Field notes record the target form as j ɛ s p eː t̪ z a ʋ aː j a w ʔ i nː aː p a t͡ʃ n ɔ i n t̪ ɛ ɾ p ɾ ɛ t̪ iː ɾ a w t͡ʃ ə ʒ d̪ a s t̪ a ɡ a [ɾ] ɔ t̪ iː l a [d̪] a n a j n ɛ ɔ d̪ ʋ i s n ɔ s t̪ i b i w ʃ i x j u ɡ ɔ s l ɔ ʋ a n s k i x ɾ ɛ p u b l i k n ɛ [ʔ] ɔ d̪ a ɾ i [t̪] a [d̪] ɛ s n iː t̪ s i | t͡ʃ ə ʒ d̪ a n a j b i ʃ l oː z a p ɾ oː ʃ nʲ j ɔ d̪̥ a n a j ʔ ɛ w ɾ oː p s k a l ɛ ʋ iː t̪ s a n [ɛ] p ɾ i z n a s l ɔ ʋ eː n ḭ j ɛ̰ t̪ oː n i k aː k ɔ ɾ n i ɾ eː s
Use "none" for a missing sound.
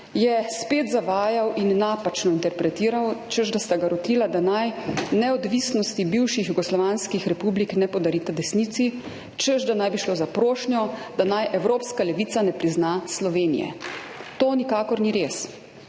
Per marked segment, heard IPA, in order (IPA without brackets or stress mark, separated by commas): ɾ, d̪, p, t̪, d̪, ɛ